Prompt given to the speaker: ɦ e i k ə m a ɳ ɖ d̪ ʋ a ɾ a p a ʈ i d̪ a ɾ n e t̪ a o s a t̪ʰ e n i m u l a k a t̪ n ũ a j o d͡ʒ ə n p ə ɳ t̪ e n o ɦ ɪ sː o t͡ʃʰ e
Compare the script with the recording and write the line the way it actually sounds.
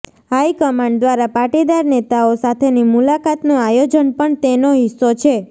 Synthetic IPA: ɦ a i k ə m a ɳ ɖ d̪ ʋ a ɾ a p a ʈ i d̪ a ɾ n e t̪ a o s a t̪ʰ e n i m u l a k a t̪ n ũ a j o d͡ʒ ə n p ə ɳ t̪ e n o ɦ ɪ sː o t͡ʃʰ e